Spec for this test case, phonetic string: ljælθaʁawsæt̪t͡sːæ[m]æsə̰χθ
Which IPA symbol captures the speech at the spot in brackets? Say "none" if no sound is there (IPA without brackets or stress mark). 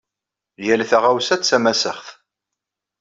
m